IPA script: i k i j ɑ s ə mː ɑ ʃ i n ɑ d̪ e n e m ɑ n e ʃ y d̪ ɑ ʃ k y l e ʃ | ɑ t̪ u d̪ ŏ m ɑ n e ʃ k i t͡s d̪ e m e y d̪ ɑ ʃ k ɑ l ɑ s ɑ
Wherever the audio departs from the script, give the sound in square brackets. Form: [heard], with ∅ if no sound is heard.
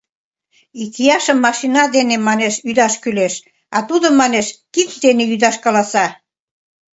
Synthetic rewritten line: i k i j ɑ [ʃ] ə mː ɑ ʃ i n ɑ d̪ e n e m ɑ n e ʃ y d̪ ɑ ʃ k y l e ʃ | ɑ t̪ u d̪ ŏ m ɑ n e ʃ k i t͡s d̪ e [n] e y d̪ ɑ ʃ k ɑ l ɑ s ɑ